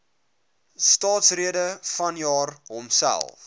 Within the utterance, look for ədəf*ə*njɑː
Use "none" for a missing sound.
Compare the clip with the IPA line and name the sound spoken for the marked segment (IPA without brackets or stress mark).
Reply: ɐ